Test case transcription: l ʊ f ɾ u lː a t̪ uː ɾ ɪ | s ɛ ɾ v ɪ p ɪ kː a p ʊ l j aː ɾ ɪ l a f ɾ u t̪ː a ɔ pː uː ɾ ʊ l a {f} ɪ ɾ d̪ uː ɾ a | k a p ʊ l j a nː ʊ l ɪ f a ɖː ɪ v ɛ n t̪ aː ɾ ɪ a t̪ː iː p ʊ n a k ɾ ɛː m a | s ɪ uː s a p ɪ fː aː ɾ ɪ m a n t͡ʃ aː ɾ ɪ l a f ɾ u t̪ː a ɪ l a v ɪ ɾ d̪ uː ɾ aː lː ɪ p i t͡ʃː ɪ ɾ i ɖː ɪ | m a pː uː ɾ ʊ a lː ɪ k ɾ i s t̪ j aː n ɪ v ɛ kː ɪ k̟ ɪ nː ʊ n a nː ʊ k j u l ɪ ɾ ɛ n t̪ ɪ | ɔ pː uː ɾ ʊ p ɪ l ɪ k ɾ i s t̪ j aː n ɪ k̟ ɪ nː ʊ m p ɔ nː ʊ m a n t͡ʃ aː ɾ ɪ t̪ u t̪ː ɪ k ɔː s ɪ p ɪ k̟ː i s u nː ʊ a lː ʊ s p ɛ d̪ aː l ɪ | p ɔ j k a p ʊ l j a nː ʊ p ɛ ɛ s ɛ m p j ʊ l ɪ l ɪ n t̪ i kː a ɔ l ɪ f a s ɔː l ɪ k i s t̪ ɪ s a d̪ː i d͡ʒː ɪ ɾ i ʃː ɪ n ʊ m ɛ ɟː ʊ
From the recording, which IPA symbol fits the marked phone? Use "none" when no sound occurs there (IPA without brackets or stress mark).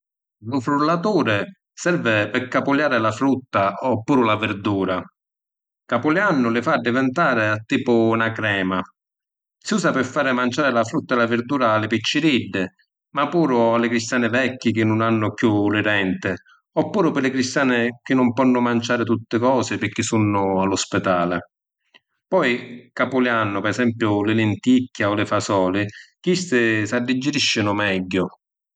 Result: v